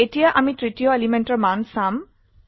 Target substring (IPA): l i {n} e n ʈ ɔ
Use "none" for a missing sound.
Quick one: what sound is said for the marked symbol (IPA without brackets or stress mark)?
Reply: m